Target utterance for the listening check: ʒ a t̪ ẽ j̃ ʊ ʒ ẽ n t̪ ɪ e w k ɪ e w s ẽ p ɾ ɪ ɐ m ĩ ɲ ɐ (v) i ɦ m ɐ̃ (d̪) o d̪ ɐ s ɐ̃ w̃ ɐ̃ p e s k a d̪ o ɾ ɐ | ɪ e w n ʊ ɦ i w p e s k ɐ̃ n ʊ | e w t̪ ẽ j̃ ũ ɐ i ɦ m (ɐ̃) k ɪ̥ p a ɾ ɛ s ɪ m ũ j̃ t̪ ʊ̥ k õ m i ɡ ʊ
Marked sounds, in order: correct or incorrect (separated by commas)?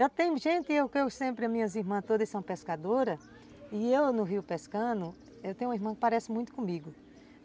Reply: incorrect, incorrect, correct